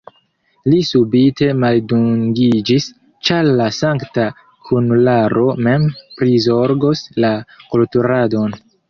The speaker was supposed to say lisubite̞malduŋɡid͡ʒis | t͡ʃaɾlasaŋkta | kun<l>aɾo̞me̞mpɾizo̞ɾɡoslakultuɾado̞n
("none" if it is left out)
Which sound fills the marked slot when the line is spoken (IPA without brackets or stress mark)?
l